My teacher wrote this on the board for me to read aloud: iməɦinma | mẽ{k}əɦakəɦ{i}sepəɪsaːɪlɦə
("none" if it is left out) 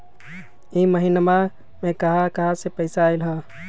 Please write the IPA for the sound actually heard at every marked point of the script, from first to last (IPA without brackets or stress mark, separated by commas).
k, a